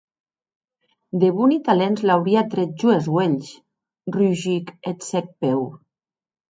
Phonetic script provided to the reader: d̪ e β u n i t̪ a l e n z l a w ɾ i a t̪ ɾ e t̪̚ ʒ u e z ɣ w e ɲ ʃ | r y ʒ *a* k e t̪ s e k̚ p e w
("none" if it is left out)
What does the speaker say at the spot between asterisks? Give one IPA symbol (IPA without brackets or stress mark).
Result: i